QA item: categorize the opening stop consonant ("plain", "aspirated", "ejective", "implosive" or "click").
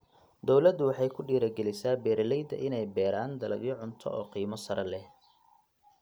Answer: plain